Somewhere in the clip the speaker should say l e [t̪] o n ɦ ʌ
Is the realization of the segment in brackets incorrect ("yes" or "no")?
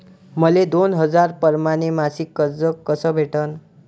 yes